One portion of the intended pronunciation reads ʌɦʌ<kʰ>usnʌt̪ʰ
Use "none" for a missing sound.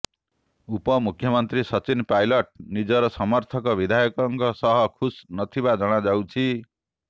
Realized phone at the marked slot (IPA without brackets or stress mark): kʰ